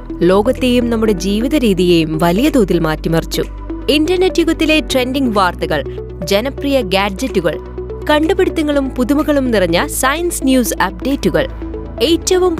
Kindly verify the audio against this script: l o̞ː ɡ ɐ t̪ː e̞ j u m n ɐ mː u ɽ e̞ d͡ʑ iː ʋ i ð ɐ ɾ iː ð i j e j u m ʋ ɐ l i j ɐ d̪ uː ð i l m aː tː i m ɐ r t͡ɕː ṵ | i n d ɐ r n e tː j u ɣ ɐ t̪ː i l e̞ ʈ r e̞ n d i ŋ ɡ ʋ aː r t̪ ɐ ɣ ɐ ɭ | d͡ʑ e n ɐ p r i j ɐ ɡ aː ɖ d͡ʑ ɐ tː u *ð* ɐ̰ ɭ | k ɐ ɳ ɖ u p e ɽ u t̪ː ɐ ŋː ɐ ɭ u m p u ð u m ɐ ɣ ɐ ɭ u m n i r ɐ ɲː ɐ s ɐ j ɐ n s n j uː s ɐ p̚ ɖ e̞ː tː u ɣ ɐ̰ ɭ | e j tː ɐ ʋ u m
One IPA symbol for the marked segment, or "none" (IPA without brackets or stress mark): ɣ